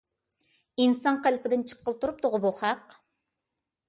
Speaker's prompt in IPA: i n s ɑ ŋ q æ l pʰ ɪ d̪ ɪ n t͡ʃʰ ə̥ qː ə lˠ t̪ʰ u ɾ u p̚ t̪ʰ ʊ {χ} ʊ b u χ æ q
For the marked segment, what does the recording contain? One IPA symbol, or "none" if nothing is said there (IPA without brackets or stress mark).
ʁ